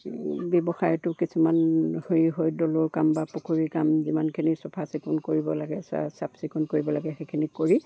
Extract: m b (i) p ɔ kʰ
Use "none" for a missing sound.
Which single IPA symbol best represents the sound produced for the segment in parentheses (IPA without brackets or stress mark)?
a